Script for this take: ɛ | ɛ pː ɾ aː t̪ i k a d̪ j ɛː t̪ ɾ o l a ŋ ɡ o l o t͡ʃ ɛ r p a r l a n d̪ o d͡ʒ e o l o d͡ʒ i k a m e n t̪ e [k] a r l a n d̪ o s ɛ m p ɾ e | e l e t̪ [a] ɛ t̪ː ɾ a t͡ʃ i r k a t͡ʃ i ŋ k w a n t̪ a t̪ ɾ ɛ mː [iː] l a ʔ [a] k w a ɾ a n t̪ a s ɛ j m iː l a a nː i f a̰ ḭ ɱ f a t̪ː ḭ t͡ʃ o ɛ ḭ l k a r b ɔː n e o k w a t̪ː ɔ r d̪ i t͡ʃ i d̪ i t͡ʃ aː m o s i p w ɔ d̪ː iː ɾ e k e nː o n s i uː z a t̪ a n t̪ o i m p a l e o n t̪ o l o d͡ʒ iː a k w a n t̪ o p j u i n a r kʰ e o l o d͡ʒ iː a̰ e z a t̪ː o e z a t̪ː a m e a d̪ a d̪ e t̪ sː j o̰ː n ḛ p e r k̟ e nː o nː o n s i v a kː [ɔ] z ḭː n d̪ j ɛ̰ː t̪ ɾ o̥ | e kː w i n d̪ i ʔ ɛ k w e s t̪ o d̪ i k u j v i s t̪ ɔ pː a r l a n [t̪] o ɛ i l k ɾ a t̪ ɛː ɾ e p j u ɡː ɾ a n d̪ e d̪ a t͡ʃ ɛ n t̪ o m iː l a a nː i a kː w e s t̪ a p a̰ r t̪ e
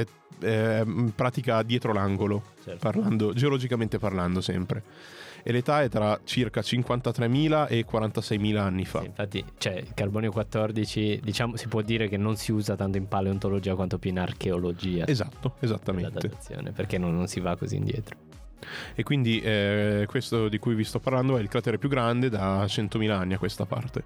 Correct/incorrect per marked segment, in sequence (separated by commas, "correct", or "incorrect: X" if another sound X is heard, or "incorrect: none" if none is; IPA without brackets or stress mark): incorrect: p, correct, correct, incorrect: e, incorrect: o, incorrect: d̪